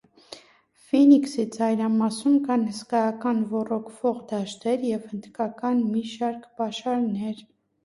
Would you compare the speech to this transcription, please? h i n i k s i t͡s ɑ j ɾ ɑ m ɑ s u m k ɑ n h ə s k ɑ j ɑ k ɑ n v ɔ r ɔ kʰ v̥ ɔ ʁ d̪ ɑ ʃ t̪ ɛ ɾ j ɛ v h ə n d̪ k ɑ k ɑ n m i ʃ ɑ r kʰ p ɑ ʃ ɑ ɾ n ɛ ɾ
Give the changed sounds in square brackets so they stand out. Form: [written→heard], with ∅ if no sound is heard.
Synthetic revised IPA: [h→f] i n i k s i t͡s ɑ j ɾ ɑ m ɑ s u m k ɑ n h ə s k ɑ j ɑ k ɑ n v ɔ r ɔ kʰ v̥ ɔ ʁ d̪ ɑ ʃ t̪ ɛ ɾ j ɛ v h ə n d̪ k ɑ k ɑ n m i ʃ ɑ [r→ɾ] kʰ p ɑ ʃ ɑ ɾ n ɛ ɾ